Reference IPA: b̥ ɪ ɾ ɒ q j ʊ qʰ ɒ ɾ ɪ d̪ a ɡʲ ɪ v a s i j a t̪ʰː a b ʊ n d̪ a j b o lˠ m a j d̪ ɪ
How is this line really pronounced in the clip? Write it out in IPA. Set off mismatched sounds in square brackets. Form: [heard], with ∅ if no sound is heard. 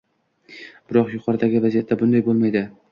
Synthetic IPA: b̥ ɪ ɾ ɒ q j ʊ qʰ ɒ ɾ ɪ d̪ a ɡʲ ɪ v a [z] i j a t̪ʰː a b ʊ n d̪ a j b o lˠ m a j d̪ ɪ